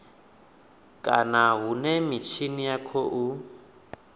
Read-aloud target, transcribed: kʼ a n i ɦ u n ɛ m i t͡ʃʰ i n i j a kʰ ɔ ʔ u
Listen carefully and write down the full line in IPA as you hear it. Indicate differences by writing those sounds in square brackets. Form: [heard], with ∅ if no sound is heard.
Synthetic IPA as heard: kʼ a n [a] ɦ u n ɛ m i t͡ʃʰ i n i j a kʰ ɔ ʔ u